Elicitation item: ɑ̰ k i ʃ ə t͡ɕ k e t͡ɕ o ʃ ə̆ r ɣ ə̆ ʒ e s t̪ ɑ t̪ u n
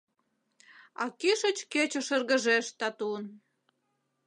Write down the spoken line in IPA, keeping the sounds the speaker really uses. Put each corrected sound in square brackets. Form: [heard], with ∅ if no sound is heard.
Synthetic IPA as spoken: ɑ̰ k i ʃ ə t͡ɕ k e t͡ɕ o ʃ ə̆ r ɣ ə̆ ʒ e [ʃ] t̪ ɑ t̪ u n